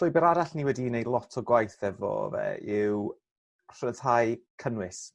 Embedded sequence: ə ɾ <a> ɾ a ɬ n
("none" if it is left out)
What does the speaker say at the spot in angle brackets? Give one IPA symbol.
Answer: a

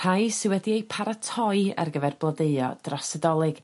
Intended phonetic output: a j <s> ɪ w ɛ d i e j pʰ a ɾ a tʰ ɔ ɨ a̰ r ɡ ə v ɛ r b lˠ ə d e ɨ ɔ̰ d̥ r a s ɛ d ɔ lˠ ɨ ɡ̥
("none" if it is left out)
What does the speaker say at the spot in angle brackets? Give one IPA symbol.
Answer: s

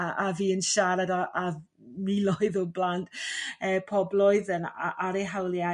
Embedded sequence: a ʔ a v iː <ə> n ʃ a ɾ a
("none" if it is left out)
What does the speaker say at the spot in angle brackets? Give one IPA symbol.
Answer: ə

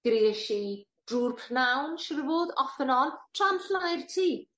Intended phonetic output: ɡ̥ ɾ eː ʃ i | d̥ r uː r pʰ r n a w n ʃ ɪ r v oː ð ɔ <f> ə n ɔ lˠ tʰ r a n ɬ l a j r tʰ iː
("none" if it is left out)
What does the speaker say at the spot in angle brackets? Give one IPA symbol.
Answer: f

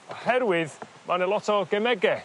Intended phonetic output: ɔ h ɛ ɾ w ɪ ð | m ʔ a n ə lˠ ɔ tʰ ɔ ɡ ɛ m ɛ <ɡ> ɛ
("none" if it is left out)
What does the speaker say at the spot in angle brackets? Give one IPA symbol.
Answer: ɡ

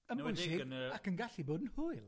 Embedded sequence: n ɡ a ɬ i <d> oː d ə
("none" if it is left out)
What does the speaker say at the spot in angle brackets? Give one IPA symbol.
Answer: b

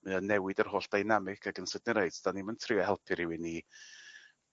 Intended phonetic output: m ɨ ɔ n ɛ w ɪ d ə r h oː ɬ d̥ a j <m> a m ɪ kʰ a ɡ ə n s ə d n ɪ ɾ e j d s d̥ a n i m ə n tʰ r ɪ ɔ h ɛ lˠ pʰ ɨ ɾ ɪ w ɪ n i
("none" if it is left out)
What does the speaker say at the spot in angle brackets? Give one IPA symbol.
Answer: n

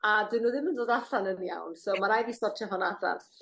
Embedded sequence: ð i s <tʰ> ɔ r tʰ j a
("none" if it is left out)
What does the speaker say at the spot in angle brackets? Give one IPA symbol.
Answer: t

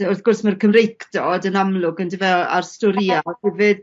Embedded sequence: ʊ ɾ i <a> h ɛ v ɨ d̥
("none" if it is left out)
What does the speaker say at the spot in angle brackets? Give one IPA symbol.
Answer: a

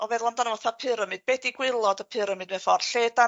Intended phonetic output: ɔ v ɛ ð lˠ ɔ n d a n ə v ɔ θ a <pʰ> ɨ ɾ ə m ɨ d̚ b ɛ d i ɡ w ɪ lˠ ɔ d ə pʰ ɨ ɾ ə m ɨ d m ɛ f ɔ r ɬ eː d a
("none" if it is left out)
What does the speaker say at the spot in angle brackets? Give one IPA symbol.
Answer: pʰ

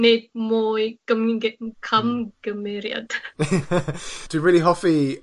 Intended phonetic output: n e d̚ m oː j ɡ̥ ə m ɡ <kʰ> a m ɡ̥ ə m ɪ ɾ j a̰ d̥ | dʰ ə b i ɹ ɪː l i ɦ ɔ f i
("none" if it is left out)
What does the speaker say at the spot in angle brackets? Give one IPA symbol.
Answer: kʰ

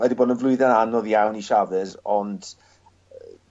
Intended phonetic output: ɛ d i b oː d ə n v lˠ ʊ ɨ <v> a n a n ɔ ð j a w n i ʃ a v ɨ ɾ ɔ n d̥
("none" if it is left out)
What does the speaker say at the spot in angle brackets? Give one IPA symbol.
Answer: ð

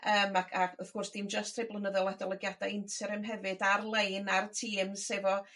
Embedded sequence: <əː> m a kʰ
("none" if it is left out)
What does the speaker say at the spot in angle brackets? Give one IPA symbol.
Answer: əː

